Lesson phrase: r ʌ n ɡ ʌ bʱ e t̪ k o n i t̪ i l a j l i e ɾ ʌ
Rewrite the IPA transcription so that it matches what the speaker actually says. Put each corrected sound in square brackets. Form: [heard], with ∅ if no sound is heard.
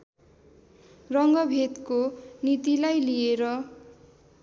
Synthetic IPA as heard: r ʌ [ŋ] ɡ ʌ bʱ e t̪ k o n i t̪ i l a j l i e ɾ ʌ